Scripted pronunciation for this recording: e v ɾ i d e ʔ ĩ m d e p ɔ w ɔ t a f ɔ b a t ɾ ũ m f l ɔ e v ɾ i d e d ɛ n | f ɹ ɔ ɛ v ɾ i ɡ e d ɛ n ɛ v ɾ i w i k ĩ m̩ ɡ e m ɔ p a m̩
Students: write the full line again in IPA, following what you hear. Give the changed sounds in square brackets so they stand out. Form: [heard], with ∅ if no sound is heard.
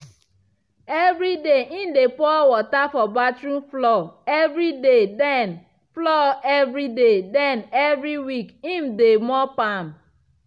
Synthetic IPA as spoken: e v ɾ i d e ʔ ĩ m d e p ɔ w ɔ t a f ɔ b a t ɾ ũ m f l ɔ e v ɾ i d e d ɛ n | f [l] ɔ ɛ v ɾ i [d] e d ɛ n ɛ v ɾ i w i k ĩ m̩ [d] e m ɔ p a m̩